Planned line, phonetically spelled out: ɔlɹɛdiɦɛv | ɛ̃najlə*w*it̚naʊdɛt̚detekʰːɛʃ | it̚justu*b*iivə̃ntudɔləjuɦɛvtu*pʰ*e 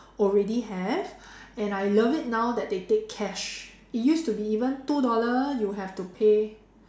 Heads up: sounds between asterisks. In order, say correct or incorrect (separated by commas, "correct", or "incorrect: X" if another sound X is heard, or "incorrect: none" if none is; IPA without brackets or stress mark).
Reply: incorrect: v, correct, correct